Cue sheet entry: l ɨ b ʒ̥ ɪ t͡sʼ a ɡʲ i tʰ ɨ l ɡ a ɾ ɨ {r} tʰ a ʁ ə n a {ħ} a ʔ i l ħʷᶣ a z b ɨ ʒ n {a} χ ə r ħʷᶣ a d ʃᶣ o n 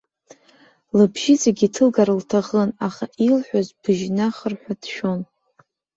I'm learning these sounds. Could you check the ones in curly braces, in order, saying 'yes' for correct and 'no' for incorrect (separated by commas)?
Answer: no, no, yes